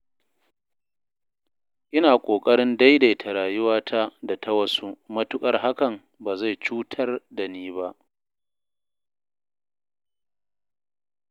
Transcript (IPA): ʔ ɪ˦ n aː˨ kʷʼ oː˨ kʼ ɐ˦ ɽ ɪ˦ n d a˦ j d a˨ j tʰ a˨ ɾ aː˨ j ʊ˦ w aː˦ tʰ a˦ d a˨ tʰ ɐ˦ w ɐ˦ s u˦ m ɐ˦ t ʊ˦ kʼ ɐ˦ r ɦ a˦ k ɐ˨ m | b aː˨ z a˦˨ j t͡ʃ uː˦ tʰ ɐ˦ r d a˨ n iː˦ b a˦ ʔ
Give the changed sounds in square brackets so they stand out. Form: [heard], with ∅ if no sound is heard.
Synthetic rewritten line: ʔ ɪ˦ n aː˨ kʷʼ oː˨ kʼ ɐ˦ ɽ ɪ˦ n d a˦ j d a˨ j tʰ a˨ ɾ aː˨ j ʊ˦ w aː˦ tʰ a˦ d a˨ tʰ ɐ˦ w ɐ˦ s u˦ m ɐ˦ t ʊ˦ kʼ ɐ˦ r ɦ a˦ k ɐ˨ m | b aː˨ z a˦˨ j t͡ʃ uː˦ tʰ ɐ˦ r d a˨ n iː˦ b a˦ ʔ

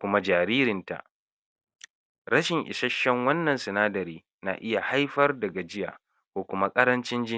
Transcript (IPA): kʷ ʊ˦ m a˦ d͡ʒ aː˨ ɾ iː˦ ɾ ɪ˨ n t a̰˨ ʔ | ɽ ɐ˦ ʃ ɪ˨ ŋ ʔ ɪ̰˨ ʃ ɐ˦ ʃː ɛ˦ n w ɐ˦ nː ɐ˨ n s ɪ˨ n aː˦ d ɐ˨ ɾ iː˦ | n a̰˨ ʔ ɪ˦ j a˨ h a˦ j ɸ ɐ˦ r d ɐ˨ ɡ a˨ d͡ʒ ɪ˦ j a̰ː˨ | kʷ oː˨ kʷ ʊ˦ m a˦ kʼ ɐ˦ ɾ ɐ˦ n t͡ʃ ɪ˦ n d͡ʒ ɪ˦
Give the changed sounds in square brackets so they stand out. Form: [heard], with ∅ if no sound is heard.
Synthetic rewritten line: kʷ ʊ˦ m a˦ d͡ʒ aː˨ ɾ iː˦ ɾ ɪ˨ n t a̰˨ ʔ | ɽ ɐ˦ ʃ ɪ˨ ŋ ʔ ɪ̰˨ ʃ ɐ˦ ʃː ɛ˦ [ŋ] w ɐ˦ nː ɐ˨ n s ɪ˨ n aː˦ d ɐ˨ ɾ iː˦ | n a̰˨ ʔ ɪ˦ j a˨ h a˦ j ɸ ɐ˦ r d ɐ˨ ɡ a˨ d͡ʒ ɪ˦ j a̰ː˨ | kʷ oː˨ kʷ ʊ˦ m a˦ kʼ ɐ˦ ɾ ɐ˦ n t͡ʃ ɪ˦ n d͡ʒ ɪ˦

